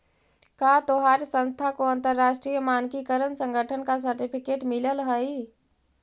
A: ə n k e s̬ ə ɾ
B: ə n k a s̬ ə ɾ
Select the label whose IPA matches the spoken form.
B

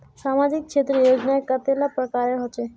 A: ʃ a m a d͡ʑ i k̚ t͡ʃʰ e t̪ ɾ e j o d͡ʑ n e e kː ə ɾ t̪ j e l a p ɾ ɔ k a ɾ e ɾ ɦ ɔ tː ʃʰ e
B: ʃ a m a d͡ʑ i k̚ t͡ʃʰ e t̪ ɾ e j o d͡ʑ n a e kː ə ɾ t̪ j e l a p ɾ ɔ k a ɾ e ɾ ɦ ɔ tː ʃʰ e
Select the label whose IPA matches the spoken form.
B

